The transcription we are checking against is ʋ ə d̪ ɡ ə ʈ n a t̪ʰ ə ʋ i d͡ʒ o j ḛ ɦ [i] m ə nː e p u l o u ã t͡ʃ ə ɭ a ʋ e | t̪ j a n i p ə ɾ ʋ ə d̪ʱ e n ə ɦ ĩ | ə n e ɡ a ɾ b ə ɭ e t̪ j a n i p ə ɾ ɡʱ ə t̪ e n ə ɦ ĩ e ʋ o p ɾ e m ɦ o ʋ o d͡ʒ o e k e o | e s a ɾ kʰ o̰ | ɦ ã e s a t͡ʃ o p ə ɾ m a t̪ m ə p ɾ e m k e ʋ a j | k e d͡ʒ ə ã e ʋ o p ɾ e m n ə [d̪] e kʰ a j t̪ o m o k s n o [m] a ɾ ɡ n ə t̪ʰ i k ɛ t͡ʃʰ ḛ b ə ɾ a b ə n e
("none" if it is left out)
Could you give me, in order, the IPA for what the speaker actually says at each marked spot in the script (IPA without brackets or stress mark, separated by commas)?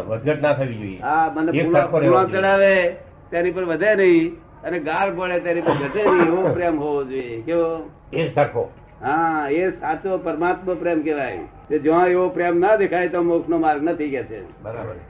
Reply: a, d̪, m